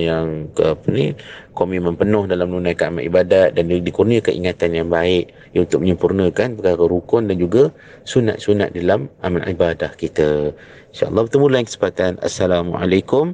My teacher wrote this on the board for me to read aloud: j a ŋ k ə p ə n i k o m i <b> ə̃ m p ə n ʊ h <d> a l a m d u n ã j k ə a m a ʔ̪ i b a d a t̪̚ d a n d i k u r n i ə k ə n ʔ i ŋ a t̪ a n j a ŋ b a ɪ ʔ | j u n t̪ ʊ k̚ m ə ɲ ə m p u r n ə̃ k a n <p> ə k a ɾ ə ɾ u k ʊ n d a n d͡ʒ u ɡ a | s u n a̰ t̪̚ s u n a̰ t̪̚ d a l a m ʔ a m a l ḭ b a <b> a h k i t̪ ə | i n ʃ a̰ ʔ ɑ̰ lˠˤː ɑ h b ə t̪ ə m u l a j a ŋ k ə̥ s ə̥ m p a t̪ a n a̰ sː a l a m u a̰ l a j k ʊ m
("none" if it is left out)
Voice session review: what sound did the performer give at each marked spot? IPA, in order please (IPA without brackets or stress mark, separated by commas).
m, d, p, d